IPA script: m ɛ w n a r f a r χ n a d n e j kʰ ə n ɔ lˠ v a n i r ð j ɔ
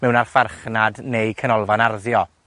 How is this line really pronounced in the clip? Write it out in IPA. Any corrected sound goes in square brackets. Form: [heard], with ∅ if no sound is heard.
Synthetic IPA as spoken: m ɛ w n a r f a r χ n a d n e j kʰ ə n ɔ lˠ v a n [a] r ð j ɔ